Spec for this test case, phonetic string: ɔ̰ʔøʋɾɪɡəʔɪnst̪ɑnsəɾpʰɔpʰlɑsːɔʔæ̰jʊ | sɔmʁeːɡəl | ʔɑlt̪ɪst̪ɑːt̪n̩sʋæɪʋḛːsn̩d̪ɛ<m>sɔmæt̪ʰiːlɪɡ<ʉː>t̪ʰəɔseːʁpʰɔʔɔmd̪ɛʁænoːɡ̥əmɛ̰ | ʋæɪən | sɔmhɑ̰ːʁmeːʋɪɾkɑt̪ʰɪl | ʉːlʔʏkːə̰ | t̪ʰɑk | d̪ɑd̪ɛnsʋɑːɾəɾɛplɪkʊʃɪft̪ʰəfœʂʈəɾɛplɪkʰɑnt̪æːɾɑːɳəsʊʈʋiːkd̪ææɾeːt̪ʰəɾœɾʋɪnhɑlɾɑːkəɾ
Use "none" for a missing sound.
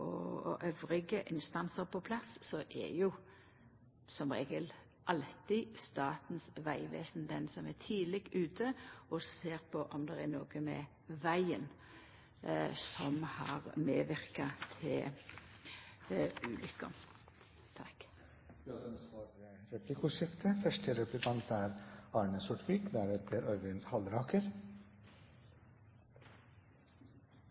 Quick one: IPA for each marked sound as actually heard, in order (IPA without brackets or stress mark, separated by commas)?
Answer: n, ʉː